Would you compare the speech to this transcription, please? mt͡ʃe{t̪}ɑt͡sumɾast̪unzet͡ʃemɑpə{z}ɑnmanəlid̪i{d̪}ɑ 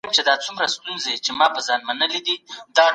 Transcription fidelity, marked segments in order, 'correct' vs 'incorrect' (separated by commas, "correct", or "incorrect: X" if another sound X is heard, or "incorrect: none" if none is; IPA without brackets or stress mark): incorrect: d̪, correct, correct